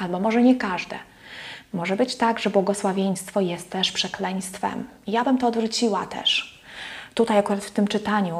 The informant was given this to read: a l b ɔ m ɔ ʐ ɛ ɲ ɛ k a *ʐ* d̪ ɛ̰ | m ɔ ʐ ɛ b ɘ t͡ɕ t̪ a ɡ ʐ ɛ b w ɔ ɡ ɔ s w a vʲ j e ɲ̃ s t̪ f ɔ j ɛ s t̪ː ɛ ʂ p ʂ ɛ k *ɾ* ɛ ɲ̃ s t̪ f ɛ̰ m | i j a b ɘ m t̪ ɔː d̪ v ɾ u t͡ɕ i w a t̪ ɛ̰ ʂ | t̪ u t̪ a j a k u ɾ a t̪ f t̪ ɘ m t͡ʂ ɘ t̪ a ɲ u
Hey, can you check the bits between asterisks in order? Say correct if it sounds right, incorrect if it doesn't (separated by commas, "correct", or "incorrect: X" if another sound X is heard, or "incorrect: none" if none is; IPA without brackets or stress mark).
correct, incorrect: l